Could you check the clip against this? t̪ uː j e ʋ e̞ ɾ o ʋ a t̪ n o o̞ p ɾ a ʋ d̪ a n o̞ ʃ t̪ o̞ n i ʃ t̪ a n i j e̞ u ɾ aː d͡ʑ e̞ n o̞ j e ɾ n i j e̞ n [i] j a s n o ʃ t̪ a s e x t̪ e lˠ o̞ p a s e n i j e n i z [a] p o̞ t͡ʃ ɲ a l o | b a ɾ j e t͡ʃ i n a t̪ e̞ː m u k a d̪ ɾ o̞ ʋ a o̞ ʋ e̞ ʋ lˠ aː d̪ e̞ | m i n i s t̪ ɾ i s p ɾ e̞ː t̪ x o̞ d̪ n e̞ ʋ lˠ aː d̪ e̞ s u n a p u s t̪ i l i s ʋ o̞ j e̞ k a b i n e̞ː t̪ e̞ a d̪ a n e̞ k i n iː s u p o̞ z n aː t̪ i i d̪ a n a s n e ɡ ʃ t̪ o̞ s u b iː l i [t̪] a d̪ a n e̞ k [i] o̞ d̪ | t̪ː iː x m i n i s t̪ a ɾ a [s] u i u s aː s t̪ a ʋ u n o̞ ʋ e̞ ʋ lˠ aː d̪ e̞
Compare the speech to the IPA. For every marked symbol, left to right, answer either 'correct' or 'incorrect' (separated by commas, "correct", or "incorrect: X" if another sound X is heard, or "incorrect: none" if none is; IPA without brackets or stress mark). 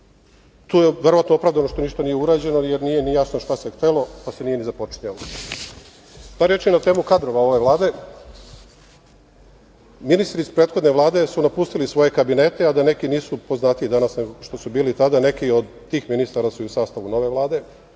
correct, correct, correct, correct, correct